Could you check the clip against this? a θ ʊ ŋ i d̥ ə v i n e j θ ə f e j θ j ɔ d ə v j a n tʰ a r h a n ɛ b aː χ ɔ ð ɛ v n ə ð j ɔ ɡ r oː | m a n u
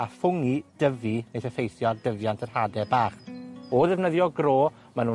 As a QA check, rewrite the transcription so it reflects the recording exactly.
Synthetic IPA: a f ʊ ŋ i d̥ ə v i n e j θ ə f e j θ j ɔ d ə v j a n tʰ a r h a d ɛ b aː χ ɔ ð ɛ v n ə ð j ɔ ɡ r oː | m a n u